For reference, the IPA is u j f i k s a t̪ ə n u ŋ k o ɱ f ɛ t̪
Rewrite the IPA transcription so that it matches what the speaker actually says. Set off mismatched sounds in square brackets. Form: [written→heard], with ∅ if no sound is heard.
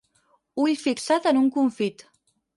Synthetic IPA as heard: u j f i k s a t̪ ə n u ŋ k [o→u] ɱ f [ɛ→i] t̪